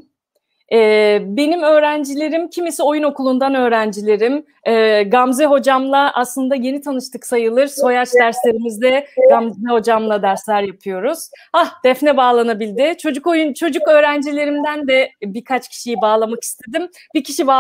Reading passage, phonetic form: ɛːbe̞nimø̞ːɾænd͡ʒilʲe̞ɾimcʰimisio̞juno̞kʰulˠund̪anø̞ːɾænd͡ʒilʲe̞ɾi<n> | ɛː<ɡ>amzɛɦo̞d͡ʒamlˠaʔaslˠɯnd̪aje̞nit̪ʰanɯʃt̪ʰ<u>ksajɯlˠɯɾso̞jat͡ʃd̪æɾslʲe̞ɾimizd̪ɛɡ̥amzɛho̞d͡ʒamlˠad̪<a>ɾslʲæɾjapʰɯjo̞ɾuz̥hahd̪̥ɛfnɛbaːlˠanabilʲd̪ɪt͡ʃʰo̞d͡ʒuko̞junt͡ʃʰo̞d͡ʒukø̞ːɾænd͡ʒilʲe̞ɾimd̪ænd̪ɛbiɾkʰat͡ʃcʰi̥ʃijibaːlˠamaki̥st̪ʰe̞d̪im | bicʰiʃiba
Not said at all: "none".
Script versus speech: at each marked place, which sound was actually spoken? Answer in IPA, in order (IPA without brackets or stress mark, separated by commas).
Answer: m, ɡ, ɯ, æ